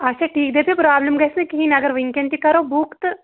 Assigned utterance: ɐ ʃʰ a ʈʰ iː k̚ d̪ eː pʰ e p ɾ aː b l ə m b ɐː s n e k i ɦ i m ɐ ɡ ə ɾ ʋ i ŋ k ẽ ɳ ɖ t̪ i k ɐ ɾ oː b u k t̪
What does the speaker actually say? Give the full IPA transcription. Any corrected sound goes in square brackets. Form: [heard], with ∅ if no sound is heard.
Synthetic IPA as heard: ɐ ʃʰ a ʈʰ iː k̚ d̪ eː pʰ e p ɾ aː b l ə m [ɡ] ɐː s n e k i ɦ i [n] ɐ ɡ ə ɾ ʋ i ŋ k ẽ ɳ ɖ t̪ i k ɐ ɾ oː b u k t̪